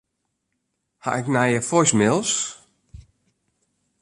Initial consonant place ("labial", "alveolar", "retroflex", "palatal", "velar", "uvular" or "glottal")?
glottal